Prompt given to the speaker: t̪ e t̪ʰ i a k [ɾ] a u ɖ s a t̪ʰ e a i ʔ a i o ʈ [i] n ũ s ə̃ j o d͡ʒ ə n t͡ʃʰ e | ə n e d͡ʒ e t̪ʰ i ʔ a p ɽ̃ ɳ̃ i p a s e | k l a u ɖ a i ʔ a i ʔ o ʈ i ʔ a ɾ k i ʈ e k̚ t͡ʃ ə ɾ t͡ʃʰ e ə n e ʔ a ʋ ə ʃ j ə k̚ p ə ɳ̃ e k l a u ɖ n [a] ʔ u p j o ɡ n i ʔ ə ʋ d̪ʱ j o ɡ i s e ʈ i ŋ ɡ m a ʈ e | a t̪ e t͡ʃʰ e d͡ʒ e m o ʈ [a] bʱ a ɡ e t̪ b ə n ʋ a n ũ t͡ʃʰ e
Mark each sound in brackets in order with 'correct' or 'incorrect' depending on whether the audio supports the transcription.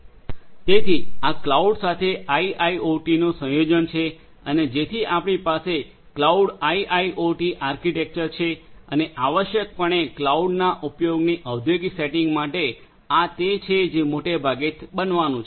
incorrect, correct, correct, incorrect

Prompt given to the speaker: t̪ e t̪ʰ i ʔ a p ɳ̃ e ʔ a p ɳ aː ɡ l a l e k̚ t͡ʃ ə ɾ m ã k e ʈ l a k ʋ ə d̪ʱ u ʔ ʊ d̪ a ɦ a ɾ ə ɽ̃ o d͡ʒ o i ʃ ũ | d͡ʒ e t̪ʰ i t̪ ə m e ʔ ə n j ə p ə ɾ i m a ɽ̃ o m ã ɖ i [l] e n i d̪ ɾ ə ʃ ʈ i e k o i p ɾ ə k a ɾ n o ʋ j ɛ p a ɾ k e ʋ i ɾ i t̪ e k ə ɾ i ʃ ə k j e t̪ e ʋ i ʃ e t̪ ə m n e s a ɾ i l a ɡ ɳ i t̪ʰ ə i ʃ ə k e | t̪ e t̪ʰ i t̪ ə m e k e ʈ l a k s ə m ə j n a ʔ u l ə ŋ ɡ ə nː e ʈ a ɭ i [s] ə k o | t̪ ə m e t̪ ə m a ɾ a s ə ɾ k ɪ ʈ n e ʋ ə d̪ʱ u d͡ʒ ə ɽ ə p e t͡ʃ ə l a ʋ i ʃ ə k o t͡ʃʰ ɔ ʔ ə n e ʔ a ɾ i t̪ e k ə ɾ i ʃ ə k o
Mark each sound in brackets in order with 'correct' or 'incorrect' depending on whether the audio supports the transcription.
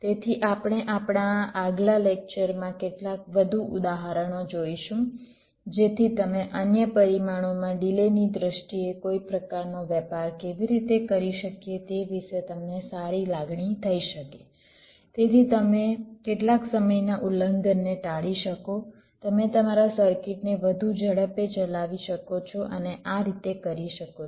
correct, incorrect

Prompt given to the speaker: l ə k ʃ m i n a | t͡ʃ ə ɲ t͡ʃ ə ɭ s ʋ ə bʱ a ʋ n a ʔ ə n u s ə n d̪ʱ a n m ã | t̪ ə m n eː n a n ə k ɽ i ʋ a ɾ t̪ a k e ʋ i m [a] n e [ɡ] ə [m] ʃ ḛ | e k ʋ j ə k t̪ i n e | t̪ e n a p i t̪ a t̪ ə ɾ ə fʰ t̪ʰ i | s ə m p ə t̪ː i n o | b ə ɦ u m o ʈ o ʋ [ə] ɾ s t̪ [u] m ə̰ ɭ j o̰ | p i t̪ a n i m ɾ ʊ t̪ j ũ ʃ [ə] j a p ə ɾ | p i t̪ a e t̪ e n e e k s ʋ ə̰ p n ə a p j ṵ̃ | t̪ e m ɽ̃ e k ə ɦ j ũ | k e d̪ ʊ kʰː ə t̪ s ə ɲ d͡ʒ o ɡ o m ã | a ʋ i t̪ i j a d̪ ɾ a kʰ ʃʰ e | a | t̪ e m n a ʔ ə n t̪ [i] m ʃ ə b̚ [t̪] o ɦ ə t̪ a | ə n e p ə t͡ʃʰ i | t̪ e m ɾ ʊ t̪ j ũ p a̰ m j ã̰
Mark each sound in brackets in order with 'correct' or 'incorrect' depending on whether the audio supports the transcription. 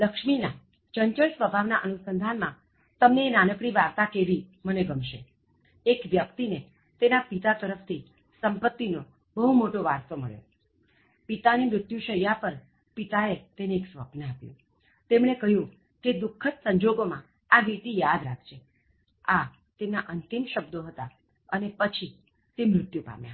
incorrect, correct, correct, incorrect, incorrect, correct, correct, incorrect

